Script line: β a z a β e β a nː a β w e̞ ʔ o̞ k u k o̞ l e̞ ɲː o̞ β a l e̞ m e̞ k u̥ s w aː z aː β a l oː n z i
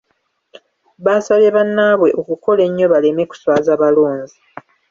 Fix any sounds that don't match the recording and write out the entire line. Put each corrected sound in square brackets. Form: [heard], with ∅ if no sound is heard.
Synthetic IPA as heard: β a [s] a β e β a nː a β w e̞ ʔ o̞ k u k o̞ l e̞ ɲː o̞ β a l e̞ m e̞ k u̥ s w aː z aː β a l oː n z i